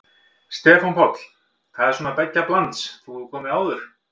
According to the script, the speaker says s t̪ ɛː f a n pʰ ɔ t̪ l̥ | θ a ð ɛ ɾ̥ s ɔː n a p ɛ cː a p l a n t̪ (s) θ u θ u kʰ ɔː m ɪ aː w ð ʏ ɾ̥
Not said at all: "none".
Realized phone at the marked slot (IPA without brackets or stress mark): s